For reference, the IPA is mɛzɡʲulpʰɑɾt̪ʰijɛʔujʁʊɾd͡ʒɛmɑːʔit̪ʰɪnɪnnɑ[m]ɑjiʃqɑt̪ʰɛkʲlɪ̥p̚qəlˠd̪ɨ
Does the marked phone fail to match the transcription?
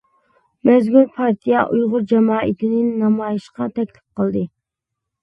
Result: no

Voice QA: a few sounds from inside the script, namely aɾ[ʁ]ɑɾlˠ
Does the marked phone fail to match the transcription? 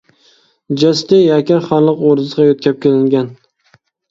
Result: yes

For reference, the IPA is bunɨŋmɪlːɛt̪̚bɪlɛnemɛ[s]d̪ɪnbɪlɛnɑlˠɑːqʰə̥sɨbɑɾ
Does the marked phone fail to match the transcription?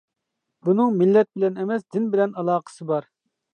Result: no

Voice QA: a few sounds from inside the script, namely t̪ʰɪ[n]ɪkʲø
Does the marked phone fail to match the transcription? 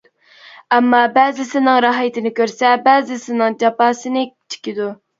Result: no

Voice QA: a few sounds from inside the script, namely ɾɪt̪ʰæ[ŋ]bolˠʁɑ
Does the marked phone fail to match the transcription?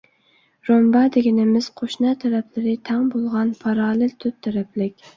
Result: no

